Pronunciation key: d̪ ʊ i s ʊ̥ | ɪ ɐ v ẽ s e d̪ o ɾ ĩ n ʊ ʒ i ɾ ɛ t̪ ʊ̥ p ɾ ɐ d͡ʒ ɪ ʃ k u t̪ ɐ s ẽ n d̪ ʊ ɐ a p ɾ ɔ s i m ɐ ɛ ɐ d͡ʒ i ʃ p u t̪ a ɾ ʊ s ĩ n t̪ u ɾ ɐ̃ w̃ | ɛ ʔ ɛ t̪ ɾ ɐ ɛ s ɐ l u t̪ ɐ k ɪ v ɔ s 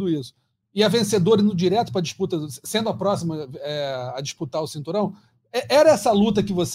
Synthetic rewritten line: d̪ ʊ i s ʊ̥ | ɪ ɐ v ẽ s e d̪ o ɾ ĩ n ʊ d͡ʒ i ɾ ɛ t̪ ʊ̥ p ɾ ɐ d͡ʒ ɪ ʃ p u t̪ ɐ s ẽ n d̪ ʊ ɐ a p ɾ ɔ s i m ɐ ɛ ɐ d͡ʒ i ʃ p u t̪ a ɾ ʊ s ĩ n t̪ u ɾ ɐ̃ w̃ | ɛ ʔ ɛ ɾ ɐ ɛ s ɐ l u t̪ ɐ k ɪ v o s